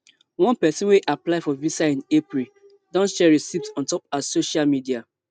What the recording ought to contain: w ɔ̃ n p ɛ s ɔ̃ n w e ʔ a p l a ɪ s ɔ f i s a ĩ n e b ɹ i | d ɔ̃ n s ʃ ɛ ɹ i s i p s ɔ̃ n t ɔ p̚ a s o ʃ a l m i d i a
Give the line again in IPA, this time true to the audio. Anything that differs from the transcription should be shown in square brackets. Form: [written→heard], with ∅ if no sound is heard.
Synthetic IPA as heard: w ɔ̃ n p ɛ s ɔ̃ n w e ʔ a p l a ɪ [s→f] ɔ [f→v] i s a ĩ n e [b→p] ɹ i | d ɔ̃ n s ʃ ɛ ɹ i s i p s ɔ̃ n t ɔ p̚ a s o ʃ a l m i d i a